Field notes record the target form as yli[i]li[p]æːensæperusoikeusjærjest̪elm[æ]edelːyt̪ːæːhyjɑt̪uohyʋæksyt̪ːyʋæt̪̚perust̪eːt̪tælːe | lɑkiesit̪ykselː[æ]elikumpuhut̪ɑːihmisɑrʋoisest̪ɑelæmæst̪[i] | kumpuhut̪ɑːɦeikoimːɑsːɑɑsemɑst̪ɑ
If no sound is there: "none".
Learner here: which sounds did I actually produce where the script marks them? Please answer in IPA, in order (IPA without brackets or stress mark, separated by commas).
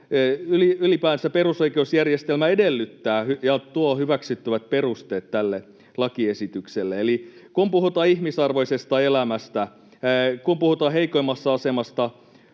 y, p, æ, e, æ